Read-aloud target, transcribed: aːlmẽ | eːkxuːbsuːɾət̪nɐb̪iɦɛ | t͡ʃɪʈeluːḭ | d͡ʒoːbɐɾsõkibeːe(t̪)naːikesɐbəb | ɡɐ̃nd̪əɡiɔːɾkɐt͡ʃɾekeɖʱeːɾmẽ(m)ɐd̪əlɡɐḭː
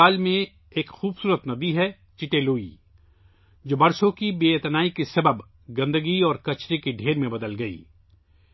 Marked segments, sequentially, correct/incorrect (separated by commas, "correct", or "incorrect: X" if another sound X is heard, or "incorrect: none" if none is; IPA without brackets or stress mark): correct, incorrect: b